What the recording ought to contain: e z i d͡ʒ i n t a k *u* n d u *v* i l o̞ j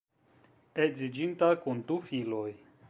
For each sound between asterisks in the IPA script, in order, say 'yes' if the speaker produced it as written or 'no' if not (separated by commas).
yes, no